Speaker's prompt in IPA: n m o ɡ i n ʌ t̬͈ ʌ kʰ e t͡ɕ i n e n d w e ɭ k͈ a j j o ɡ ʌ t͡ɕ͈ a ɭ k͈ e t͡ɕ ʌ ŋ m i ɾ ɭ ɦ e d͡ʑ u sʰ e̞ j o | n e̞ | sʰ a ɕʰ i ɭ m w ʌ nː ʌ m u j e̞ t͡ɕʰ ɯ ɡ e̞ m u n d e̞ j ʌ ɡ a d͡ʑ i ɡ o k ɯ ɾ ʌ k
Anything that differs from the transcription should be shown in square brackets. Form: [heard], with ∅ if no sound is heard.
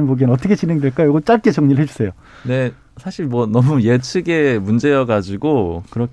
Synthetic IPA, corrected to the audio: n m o ɡ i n ʌ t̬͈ ʌ kʰ e t͡ɕ i n e [ŋ] d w e ɭ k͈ a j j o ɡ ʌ t͡ɕ͈ a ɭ k͈ e t͡ɕ ʌ ŋ [ɲ] i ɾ ɭ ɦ e d͡ʑ u sʰ e̞ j o | n e̞ | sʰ a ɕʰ i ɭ m w ʌ [n] ʌ m u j e̞ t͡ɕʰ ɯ ɡ e̞ m u n [d͡ʑ] e̞ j ʌ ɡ a d͡ʑ i ɡ o k ɯ ɾ ʌ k